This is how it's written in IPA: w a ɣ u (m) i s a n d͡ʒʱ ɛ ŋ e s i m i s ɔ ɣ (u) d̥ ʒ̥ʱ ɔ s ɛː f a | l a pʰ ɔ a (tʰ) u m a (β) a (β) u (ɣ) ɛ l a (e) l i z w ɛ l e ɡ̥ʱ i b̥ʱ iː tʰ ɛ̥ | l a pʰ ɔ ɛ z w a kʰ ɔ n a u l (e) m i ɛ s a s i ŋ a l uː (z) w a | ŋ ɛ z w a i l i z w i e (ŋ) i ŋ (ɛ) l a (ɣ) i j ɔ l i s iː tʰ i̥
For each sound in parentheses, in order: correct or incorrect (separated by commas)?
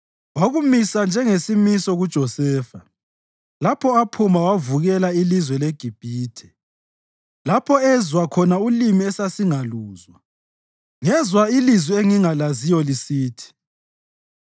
correct, correct, incorrect, incorrect, incorrect, correct, incorrect, incorrect, correct, correct, incorrect, incorrect